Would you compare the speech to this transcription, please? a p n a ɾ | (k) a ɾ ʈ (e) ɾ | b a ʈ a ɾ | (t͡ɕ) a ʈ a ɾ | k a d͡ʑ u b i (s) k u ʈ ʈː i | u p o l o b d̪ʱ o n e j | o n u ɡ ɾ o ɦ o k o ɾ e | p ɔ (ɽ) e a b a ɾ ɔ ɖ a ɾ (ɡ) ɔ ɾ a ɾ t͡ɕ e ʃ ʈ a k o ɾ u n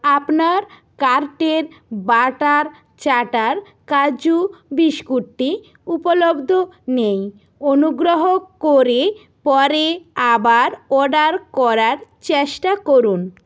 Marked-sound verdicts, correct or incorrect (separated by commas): correct, correct, correct, incorrect, incorrect, incorrect